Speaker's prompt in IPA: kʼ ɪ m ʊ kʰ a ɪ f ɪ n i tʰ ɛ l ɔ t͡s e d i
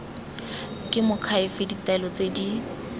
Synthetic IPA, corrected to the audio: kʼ ɪ m ʊ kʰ a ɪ f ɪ d i t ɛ l ɔ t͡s e d i

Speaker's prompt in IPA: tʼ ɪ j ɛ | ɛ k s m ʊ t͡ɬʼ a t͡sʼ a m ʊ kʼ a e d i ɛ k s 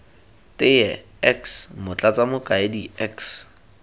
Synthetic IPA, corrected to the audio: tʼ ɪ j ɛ | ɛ k s m ʊ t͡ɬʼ a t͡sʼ a m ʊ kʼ a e d i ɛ k s

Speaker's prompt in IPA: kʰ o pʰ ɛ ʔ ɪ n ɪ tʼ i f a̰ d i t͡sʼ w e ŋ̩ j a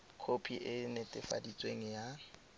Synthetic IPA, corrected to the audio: kʰ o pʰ i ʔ ɪ n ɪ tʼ ɪ f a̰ d i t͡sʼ w e ŋ̩ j a

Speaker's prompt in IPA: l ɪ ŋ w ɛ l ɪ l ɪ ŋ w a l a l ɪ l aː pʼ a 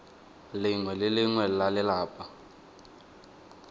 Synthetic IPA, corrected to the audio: l ɪ ŋ w ɛ l ɪ l ɪ ŋ w ɛ l a l ɪ l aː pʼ a

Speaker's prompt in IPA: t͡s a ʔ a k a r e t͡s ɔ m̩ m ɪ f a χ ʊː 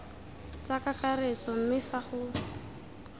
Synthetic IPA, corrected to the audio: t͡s a k a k a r e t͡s ɔ m̩ m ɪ f a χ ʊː

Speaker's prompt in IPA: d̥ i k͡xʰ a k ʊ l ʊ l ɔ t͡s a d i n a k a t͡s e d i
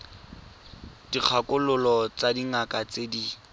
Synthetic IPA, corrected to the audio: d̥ i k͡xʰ a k ʊ l ʊ l ɔ t͡s a d i ŋ a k a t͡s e d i

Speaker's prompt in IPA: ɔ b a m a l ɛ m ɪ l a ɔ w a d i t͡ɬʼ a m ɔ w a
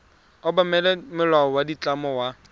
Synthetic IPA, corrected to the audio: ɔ b a m ɛ l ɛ m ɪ l a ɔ w a d i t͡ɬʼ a m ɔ w a

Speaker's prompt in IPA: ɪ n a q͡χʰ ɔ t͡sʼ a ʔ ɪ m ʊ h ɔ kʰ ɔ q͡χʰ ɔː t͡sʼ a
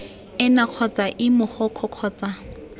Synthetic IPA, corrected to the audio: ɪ n a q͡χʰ ɔ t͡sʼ a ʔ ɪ m ʊ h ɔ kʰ ɔ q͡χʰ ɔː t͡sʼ a

